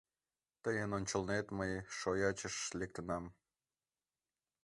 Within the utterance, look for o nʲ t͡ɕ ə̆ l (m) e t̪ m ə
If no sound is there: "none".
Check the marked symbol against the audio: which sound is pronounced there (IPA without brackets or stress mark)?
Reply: n